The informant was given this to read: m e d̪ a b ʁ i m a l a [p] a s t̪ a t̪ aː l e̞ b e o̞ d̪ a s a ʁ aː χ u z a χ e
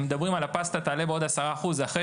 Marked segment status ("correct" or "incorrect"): correct